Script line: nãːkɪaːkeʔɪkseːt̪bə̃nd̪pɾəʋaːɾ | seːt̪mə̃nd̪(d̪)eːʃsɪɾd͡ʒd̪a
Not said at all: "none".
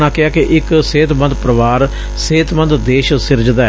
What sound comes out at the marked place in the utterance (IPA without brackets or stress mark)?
d̪